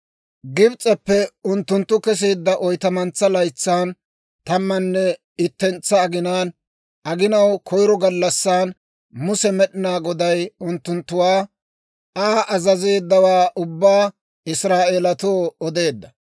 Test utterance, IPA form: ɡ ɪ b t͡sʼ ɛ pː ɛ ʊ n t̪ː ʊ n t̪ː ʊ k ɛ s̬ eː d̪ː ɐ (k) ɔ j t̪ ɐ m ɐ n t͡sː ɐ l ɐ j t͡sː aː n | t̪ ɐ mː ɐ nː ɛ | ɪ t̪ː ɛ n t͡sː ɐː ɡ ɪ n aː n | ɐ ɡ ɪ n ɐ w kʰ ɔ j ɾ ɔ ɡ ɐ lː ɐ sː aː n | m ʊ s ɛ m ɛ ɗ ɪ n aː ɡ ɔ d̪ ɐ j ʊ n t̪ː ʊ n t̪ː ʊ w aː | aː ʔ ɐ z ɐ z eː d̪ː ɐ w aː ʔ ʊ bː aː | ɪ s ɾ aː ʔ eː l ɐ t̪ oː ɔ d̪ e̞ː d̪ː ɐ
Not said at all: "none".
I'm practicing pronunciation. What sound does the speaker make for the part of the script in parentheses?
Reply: ʔ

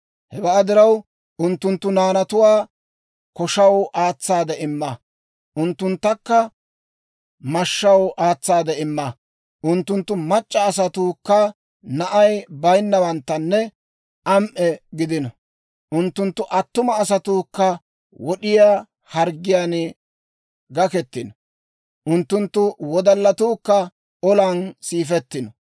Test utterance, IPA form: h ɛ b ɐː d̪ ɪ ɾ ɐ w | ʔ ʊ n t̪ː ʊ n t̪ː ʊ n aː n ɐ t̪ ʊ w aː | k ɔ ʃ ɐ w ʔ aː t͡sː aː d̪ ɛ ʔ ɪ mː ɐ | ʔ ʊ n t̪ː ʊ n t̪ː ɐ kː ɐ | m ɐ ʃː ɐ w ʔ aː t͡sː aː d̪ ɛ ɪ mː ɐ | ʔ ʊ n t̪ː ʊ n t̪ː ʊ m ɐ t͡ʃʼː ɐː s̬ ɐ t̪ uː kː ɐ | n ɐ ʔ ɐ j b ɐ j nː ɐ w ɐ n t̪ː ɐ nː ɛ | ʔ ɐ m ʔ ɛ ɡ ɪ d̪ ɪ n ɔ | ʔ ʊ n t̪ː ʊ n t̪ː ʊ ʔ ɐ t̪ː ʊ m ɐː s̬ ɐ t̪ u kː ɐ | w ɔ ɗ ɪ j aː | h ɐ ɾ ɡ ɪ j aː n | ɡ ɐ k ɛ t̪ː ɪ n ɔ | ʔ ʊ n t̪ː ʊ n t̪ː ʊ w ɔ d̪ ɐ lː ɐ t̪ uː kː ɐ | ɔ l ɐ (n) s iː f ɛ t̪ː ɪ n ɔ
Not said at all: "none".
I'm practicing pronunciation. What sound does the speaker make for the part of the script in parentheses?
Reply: n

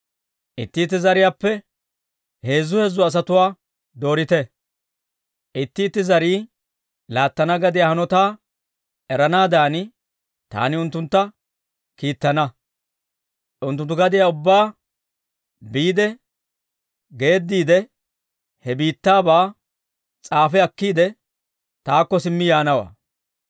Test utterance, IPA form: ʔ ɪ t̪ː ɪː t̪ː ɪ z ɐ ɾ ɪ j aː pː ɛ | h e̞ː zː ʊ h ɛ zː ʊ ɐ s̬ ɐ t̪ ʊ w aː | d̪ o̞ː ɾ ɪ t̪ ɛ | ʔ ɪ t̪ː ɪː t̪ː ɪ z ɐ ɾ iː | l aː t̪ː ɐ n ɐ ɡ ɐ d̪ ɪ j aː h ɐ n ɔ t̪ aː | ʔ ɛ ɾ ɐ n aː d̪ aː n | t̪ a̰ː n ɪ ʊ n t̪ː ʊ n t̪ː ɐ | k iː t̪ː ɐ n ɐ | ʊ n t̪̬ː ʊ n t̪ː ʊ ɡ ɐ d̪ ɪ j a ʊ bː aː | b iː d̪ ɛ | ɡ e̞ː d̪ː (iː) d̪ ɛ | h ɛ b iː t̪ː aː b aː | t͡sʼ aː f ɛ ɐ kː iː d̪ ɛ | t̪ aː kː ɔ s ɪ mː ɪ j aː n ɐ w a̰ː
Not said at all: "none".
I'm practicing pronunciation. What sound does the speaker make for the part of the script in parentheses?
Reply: iː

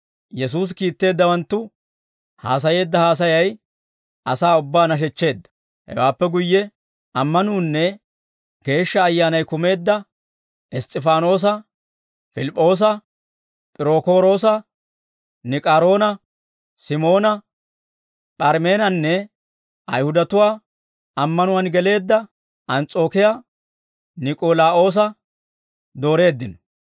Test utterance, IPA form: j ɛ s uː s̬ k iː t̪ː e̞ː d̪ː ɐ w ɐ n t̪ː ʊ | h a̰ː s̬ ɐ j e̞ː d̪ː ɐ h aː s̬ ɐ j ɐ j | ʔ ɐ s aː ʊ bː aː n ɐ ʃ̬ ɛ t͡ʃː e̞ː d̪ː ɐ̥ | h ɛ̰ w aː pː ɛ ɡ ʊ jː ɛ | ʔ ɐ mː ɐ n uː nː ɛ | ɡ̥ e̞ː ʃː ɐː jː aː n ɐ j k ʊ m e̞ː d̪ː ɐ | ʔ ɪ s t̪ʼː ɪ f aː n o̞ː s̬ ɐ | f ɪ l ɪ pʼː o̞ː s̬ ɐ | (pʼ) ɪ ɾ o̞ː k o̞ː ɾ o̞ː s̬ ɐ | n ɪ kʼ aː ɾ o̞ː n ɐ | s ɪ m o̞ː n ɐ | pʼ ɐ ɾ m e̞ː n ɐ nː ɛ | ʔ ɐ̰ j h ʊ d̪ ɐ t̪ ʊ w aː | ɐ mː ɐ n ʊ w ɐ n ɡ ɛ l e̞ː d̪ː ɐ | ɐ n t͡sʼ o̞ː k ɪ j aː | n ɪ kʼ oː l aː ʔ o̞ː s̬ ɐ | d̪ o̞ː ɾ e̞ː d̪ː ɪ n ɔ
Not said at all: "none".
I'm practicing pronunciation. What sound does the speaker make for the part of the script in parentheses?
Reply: pʼ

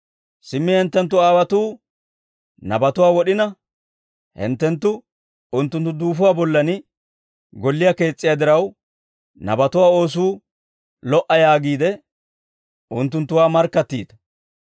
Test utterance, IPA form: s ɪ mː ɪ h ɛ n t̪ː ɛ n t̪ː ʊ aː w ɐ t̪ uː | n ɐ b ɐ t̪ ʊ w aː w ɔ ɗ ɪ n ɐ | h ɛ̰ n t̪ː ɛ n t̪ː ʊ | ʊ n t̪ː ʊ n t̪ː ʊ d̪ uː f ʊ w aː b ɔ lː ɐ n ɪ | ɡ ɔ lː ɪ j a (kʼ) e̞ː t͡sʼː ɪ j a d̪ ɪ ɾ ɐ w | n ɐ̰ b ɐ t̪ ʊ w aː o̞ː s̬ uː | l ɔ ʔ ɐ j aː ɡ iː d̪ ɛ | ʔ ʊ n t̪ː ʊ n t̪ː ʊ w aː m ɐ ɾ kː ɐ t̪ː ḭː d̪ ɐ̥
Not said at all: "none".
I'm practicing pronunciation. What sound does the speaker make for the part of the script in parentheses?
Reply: k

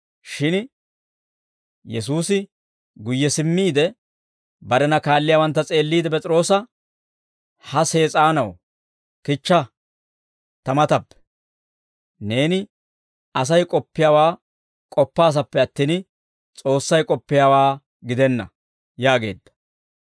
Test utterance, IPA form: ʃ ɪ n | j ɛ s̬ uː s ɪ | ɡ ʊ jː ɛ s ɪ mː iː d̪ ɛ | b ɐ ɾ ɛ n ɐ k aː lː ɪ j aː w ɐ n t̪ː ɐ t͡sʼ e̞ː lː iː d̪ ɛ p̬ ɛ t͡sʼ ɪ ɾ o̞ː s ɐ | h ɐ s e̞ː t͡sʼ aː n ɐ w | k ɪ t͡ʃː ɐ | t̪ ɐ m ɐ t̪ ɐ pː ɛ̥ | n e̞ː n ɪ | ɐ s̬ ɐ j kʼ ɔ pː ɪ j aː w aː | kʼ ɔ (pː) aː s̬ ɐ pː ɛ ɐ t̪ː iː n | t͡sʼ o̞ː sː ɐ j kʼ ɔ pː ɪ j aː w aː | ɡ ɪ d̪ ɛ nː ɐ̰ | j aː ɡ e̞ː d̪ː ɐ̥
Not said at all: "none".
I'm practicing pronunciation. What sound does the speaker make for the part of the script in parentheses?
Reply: pː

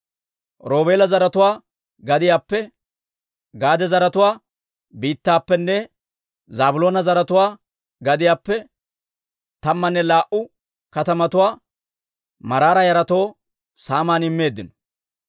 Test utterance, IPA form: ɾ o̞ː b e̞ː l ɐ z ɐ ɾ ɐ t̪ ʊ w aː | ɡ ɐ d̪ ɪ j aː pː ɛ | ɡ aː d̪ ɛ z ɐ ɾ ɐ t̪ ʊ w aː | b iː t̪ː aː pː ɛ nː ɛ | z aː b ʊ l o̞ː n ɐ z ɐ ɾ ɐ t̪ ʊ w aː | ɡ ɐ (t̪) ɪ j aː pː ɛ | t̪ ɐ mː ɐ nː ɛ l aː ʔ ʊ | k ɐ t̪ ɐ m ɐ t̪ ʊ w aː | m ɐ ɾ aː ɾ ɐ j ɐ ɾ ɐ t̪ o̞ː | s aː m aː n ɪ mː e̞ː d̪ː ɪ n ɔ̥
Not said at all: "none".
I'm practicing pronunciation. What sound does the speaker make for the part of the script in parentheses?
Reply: d̪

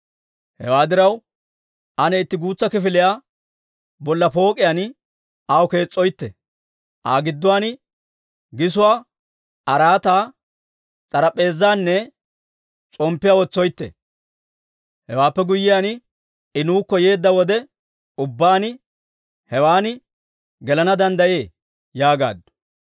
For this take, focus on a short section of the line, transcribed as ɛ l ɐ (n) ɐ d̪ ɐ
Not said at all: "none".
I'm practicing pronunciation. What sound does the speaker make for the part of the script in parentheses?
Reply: n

